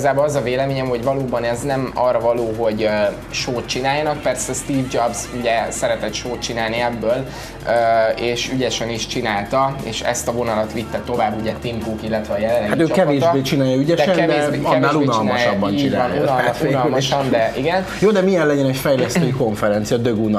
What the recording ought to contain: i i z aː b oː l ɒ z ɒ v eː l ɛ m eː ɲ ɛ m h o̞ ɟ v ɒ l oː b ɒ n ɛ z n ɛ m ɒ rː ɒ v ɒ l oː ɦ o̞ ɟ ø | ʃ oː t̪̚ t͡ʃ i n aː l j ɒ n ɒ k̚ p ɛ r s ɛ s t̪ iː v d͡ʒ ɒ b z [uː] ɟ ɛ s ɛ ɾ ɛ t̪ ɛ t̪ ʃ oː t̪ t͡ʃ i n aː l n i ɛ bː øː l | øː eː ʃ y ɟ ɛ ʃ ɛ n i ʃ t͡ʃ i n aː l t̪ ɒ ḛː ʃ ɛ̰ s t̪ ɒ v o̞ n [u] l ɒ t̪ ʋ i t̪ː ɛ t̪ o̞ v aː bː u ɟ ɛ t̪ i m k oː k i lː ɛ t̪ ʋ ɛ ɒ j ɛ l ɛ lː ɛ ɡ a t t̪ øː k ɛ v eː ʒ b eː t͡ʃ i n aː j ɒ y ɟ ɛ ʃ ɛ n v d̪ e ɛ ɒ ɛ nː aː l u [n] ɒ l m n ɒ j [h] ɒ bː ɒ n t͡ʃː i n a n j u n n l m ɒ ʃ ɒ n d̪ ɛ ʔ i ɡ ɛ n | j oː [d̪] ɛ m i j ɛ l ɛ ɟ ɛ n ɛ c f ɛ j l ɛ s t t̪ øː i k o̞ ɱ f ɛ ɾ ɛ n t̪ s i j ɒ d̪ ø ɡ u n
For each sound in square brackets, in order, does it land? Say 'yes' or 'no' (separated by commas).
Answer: no, no, yes, no, yes